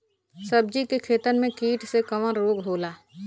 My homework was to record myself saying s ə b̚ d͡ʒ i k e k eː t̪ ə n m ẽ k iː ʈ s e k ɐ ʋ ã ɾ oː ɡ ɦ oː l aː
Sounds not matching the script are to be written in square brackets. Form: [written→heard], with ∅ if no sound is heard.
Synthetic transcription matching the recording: s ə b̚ d͡ʒ i k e [k→kʰ] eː t̪ ə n m ẽ k iː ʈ s e k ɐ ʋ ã ɾ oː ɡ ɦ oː l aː